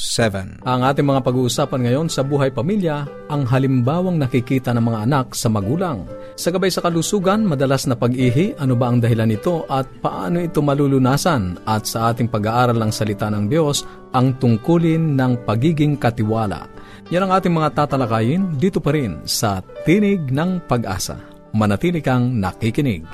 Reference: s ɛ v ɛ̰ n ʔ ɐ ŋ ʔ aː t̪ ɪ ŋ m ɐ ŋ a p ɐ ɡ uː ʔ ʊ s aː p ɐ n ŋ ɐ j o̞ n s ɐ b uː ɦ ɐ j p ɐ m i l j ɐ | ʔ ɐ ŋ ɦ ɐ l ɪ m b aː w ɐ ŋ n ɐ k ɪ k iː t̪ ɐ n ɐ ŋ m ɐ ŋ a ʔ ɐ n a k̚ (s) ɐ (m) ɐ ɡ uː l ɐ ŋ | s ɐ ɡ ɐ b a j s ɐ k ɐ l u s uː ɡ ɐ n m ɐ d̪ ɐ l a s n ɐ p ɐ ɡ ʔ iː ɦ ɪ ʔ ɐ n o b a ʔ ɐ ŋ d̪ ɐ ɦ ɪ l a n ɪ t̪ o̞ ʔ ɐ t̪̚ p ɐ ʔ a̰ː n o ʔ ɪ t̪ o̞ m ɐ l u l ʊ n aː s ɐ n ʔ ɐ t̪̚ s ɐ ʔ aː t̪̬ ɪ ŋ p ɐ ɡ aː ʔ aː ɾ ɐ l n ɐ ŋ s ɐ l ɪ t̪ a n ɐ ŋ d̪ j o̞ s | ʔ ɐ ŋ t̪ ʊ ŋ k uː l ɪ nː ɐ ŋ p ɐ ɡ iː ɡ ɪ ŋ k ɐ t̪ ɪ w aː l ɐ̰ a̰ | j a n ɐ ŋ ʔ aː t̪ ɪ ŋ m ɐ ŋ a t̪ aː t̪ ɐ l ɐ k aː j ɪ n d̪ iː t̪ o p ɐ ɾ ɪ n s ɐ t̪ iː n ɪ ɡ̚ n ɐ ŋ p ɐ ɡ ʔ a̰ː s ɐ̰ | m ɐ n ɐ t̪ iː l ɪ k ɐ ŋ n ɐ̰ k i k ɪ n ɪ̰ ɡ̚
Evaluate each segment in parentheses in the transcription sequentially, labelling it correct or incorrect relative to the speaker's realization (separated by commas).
correct, correct